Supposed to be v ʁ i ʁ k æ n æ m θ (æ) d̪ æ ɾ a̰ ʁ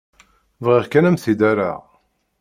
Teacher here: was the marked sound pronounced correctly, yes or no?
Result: no